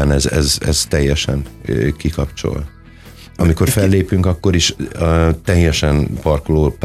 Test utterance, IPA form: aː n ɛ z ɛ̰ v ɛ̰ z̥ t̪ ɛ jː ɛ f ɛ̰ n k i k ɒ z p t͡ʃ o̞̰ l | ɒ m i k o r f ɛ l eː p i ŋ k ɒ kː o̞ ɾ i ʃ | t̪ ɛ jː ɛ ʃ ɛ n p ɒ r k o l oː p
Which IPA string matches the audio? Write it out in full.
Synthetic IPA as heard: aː n ɛ z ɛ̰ z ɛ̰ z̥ t̪ ɛ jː ɛ ʃ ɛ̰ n k i k ɒ p t͡ʃ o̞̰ l | ɒ m i k o r f ɛ lː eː p y ŋ k ɒ kː o̞ ɾ i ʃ | t̪ ɛ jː ɛ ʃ ɛ n p ɒ r k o l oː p